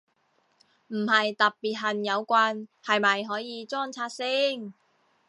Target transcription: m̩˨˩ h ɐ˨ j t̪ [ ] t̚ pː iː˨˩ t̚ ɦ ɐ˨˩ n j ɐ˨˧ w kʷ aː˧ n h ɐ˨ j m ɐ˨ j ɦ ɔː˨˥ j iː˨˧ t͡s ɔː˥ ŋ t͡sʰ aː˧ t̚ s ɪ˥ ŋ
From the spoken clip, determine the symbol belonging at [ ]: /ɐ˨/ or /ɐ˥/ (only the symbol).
ɐ˨